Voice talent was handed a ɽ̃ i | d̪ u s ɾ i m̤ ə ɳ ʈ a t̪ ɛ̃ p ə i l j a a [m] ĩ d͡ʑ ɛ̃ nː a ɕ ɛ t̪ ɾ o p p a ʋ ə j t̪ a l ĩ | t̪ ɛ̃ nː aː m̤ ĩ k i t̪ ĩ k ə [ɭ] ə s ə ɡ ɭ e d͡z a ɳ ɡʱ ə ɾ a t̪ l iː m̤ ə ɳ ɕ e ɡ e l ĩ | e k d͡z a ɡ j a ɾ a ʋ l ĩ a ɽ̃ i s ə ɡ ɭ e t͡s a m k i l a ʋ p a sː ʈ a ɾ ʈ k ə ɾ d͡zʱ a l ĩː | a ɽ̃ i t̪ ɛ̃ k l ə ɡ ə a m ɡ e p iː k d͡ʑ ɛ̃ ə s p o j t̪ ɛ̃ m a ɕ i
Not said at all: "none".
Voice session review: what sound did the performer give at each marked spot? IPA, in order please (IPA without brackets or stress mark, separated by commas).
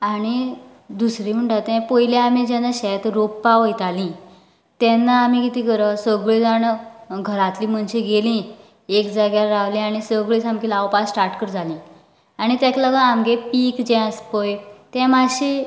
m, ɾ